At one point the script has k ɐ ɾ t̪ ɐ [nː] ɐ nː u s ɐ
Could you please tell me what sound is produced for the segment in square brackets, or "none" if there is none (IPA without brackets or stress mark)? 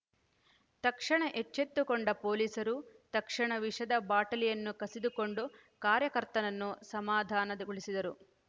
n